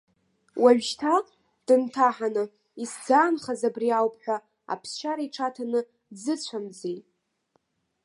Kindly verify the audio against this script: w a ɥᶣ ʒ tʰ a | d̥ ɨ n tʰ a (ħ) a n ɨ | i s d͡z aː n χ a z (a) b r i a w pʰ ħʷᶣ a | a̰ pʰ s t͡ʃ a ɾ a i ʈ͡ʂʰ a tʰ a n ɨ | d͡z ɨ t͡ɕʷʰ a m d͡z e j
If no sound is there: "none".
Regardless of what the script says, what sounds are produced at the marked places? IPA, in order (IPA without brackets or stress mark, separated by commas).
ħ, a